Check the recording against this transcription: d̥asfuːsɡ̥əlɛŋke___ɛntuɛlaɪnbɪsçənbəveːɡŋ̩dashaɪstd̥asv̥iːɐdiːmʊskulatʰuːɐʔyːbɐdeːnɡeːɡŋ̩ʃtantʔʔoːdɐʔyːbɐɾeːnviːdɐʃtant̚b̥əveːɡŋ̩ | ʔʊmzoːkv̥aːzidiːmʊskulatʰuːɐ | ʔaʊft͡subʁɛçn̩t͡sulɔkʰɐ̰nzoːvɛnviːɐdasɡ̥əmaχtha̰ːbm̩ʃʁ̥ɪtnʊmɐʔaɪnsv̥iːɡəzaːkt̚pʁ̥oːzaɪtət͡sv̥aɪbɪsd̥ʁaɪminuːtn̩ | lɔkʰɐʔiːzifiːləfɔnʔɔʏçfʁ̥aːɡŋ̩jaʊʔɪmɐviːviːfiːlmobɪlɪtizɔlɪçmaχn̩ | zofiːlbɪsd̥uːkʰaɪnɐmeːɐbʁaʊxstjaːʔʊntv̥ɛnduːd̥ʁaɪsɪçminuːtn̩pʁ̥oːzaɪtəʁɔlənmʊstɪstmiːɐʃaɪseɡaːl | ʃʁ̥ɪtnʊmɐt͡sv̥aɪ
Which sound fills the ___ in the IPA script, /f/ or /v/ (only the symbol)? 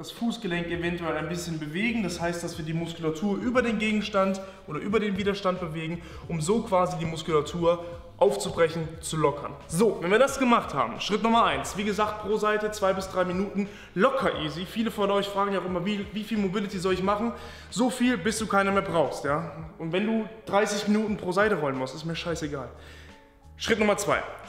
v